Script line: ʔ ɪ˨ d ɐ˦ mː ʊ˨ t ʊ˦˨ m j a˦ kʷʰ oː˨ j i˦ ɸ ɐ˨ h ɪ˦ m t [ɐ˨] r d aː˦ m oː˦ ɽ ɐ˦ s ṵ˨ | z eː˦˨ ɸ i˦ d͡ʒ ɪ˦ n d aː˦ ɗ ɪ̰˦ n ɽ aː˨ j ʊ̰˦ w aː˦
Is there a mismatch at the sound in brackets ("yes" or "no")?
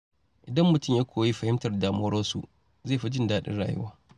no